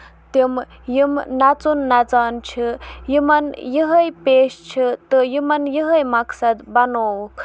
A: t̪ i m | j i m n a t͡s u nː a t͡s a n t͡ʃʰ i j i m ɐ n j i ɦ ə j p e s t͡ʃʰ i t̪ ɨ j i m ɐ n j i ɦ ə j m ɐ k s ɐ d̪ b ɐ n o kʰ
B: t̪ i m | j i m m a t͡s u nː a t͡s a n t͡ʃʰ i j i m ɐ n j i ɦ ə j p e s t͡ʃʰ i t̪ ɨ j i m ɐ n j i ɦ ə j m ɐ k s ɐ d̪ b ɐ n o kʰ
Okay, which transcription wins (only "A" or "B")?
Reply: A